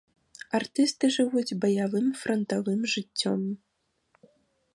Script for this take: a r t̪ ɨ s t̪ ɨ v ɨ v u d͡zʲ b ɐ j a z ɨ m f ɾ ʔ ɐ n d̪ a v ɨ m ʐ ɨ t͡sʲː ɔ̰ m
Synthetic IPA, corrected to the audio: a r t̪ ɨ s t̪ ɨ ʐ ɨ v u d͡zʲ b ɐ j a v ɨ m f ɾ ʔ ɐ n t̪ a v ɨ m ʐ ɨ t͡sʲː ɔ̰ m